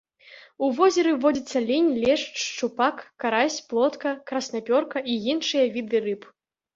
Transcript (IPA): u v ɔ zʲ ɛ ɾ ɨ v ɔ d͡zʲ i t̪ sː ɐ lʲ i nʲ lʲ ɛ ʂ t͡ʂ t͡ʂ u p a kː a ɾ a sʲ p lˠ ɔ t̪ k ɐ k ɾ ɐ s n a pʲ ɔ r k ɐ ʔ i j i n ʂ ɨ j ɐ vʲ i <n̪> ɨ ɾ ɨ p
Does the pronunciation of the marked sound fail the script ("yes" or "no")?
yes